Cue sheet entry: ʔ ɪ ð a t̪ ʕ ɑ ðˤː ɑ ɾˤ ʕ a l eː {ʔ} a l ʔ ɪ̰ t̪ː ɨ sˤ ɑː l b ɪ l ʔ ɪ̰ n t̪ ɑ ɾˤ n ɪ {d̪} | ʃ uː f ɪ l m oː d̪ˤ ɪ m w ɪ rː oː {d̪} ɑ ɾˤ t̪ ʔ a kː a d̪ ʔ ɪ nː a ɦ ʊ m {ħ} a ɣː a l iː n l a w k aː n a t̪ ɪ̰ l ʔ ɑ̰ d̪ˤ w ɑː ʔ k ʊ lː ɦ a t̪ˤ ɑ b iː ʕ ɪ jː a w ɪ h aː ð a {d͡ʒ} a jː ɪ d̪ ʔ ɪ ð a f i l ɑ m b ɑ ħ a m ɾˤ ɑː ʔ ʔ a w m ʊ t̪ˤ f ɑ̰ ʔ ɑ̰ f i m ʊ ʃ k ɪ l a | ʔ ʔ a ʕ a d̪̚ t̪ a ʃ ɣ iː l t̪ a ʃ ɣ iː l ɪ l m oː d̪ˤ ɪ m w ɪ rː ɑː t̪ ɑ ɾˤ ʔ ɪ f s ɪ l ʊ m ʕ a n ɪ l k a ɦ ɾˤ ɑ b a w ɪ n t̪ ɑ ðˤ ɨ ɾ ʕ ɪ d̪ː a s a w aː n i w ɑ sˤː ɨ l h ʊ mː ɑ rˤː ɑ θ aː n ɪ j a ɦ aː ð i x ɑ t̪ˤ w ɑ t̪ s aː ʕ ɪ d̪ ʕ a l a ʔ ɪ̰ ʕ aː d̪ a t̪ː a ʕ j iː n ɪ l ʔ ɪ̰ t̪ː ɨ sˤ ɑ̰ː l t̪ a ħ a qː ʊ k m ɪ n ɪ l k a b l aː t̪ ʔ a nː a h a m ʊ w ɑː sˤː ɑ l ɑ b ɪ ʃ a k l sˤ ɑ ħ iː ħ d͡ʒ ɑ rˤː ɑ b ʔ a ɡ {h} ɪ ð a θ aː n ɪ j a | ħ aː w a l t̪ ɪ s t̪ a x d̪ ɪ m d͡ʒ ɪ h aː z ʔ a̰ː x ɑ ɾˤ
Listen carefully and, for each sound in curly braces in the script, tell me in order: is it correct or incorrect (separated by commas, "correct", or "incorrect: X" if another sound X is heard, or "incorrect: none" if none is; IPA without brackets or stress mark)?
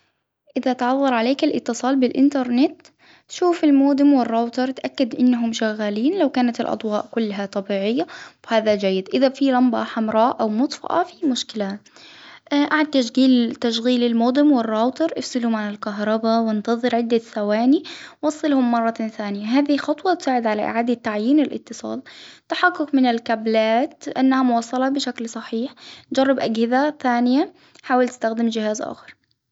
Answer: incorrect: k, incorrect: t̪, incorrect: t̪, incorrect: ʃ, correct, correct